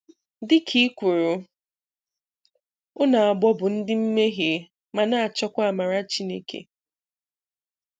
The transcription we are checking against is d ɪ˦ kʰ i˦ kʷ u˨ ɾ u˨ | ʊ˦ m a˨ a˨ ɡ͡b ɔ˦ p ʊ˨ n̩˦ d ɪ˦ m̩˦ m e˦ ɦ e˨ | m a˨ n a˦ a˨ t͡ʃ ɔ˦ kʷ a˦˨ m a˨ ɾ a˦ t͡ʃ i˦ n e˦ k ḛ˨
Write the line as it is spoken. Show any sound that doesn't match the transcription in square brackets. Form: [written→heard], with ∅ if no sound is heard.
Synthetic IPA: d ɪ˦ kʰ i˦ kʷ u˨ ɾ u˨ | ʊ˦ [m→n] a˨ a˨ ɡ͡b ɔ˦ [p→b] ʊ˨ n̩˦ d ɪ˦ m̩˦ m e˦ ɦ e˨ | m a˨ n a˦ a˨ t͡ʃ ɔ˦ kʷ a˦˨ m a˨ ɾ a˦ t͡ʃ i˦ n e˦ k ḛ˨